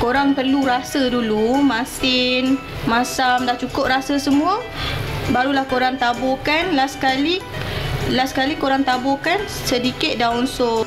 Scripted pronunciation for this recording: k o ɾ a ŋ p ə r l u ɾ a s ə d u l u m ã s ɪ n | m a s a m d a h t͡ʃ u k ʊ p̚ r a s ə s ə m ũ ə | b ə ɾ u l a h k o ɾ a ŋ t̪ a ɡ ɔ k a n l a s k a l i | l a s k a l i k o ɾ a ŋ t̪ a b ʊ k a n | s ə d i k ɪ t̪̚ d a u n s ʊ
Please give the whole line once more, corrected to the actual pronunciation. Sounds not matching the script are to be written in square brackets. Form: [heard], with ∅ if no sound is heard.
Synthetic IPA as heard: k o ɾ a ŋ p ə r l u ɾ a s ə d u l u m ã s ɪ n | m a s a m d a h t͡ʃ u k ʊ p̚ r a s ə s ə m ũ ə | b [a] ɾ u l a h k o ɾ a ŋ t̪ a [b] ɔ k a n l a s k a l i | l a s k a l i k o ɾ a ŋ t̪ a b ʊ k a n | s ə d i k ɪ t̪̚ d a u n s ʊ